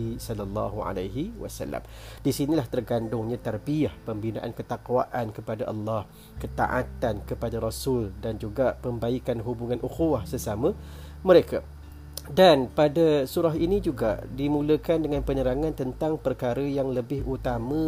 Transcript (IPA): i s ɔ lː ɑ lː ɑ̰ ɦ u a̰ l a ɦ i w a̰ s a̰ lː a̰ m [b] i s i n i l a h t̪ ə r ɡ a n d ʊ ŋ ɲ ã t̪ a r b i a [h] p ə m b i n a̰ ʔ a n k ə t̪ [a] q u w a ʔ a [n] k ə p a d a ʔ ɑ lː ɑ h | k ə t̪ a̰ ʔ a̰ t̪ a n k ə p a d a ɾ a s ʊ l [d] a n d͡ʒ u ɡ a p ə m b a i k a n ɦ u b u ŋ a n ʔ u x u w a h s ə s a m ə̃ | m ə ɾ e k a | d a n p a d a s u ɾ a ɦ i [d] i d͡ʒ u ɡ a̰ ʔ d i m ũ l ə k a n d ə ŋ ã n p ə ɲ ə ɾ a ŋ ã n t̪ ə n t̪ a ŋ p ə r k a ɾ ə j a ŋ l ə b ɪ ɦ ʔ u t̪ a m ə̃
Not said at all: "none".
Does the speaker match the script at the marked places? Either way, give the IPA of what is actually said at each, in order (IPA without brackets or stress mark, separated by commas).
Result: d, h, a, n, d, n